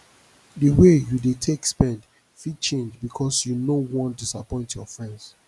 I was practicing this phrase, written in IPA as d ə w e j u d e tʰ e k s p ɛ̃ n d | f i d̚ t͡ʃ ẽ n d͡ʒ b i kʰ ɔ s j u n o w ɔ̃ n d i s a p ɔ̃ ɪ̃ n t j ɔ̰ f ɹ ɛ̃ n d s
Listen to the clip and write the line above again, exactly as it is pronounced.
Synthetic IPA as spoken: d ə w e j u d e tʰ e k s p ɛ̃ n d | f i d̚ t͡ʃ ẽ n d͡ʒ b i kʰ ɔ s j u n o w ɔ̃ n d i s a p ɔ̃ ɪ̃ n t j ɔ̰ f ɹ ɛ̃ n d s